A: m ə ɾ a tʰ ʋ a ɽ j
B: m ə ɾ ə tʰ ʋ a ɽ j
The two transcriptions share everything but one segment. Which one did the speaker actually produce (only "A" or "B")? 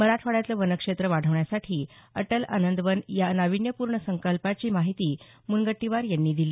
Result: A